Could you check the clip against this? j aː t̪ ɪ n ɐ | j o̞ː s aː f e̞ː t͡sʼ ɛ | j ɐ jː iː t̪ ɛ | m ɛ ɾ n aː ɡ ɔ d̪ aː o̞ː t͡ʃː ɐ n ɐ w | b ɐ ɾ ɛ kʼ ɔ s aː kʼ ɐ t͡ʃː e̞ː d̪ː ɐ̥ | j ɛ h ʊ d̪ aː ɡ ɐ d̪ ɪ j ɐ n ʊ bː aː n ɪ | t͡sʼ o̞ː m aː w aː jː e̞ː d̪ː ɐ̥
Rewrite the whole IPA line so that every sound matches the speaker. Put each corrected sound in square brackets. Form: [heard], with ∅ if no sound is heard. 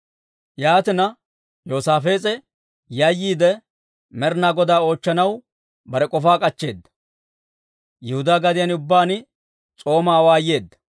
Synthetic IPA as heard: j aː t̪ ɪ n ɐ | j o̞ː s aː f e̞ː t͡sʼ ɛ | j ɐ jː iː [d̪] ɛ | m ɛ ɾ n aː ɡ ɔ d̪ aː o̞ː t͡ʃː ɐ n ɐ w | b ɐ ɾ ɛ kʼ ɔ [f] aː kʼ ɐ t͡ʃː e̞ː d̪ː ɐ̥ | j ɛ h ʊ d̪ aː ɡ ɐ d̪ ɪ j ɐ n ʊ bː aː n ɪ | t͡sʼ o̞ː m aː w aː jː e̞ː d̪ː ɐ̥